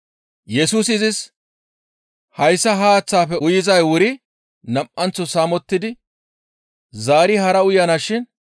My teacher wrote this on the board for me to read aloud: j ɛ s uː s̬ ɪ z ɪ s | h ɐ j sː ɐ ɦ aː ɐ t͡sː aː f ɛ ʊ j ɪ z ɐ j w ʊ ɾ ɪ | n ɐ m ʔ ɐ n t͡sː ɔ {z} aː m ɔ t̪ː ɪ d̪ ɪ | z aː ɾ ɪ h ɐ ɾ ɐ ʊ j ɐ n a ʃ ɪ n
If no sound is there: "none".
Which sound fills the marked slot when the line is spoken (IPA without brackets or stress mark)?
s